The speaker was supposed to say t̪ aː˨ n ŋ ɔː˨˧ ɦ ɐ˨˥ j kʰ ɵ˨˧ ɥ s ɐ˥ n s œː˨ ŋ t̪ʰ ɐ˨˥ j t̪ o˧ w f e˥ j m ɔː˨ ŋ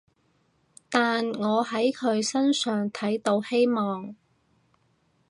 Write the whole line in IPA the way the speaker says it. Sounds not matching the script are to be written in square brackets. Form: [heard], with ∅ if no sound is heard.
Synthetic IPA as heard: t̪ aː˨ n ŋ ɔː˨˧ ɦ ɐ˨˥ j kʰ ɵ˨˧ ɥ s ɐ˥ n s œː˨ ŋ t̪ʰ ɐ˨˥ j t̪ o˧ w [h] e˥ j m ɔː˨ ŋ